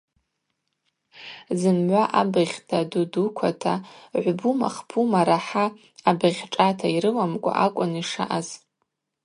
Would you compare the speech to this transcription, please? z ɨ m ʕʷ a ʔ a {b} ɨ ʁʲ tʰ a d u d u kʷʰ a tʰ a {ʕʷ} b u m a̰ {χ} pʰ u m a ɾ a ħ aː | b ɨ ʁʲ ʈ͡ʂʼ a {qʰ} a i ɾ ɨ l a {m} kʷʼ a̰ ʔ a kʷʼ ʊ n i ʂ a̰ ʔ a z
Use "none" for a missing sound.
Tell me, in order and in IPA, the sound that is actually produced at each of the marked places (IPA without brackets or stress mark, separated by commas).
b, ʕʷ, χ, tʰ, m